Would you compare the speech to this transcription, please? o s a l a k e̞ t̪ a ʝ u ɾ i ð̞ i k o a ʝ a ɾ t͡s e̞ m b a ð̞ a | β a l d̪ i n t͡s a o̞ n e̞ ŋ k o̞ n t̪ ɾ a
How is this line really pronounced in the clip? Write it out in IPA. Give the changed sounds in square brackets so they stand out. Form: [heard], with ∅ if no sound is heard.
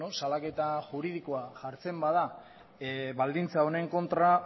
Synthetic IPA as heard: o s a l a k e̞ t̪ a ʝ u ɾ i ð̞ i k o a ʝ a ɾ t͡s e̞ m b a ð̞ a | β a l d̪ i n t͡s a o̞ n e̞ ŋ k o̞ n t̪ ɾ a